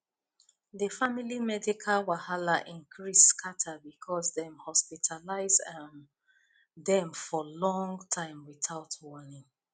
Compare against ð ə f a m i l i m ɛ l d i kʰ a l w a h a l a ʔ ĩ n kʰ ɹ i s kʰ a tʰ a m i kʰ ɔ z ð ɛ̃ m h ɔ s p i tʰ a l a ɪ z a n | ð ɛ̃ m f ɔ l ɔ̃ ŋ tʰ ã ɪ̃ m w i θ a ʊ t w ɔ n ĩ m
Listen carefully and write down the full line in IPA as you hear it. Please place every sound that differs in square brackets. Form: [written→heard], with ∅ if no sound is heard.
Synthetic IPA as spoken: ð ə f a m i l i m ɛ [l→∅] d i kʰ a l w a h a l a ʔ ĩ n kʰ ɹ i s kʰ a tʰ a [m→b] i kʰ ɔ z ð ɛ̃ m h ɔ s p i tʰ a l a ɪ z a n | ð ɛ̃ m f ɔ l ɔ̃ ŋ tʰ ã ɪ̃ m w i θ a ʊ t w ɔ n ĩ [m→ŋ]